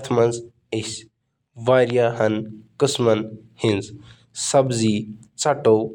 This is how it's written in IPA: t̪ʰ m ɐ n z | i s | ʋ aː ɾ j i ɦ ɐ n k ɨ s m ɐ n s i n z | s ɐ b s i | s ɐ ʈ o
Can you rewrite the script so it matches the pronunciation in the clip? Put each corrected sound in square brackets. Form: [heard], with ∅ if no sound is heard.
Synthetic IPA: t̪ʰ m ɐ n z | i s | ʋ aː ɾ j [a] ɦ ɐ n k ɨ s m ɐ n [h] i n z | s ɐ b [z] i | [t͡s] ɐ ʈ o